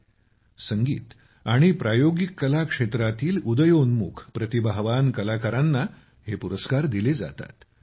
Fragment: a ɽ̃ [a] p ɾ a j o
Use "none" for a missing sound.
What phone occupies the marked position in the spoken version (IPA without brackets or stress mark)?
i